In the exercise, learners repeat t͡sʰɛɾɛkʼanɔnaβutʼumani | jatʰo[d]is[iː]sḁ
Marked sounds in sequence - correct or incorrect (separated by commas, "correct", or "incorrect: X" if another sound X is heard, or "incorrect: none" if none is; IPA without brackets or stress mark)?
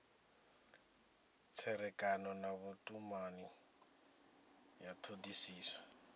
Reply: correct, correct